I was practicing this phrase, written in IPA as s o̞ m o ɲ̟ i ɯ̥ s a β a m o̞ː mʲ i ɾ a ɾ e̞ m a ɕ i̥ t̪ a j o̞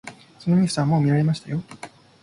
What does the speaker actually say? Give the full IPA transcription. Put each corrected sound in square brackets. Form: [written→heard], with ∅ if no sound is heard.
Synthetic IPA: s o̞ [m→n] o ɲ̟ i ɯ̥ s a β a m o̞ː mʲ i ɾ a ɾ e̞ m a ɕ i̥ t̪ a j o̞